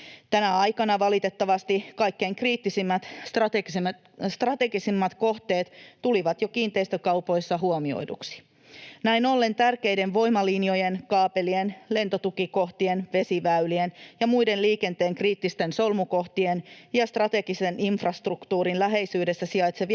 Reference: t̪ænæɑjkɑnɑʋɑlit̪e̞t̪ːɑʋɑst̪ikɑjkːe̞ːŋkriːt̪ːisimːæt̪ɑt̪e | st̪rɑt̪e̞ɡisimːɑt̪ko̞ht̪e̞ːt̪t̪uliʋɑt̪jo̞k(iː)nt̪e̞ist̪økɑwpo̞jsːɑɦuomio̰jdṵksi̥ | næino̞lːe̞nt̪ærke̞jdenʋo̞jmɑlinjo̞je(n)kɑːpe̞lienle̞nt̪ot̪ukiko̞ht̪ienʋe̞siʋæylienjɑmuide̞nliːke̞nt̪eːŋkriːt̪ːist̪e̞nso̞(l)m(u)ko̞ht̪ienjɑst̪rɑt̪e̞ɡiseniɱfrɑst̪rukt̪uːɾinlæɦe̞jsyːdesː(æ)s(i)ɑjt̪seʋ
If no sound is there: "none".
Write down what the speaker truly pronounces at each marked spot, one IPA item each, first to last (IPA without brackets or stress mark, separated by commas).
iː, n, l, u, æ, i